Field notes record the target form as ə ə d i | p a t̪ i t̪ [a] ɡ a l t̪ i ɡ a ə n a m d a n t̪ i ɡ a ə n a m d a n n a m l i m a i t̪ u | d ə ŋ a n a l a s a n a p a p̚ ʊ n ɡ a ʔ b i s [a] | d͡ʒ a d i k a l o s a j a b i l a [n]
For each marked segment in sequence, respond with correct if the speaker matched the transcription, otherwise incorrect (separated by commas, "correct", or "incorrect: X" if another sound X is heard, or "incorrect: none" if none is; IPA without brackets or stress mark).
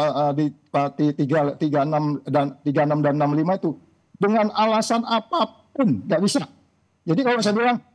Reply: incorrect: i, correct, incorrect: ŋ